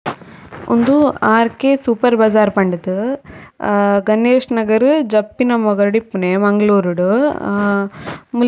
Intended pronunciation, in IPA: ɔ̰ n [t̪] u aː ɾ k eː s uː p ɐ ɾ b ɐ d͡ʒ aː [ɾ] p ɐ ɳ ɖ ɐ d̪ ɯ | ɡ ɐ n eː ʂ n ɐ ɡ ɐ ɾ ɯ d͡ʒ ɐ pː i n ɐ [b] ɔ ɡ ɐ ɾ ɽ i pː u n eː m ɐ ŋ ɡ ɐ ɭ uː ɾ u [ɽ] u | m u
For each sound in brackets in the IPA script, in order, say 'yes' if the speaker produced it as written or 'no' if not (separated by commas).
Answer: no, yes, no, yes